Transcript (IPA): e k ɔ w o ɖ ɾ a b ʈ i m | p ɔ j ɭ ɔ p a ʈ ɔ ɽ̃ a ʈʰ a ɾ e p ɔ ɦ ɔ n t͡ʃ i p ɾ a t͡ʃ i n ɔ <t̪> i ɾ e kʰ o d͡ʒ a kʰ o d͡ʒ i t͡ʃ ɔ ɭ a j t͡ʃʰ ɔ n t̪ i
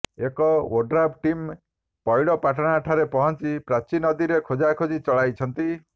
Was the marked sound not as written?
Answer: yes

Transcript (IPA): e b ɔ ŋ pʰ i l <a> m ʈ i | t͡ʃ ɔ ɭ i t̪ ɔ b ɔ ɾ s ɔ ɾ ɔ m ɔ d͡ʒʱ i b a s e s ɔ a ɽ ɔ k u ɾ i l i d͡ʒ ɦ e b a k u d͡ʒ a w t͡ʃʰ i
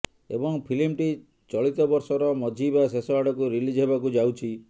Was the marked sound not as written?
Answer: yes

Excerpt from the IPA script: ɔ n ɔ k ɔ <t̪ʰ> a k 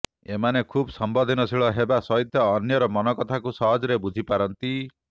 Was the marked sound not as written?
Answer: no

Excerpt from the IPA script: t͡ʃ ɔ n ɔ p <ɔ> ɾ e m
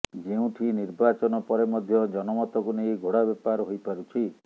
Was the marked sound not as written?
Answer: no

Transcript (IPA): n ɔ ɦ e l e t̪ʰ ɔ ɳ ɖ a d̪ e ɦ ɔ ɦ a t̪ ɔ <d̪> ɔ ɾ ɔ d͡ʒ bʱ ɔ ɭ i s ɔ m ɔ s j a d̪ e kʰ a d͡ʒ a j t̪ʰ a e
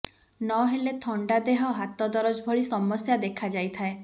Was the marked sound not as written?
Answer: no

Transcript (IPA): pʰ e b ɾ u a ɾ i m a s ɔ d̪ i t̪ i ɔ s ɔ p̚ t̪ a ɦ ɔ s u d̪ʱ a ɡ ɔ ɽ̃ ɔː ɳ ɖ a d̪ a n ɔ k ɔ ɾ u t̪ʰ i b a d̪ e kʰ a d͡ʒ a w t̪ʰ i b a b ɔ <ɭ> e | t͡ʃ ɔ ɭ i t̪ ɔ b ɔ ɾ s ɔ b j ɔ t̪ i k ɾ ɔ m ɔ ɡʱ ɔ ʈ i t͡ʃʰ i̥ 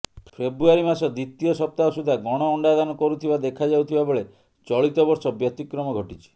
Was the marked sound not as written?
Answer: no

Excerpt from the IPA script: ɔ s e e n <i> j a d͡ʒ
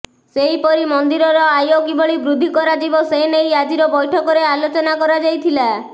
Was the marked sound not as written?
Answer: yes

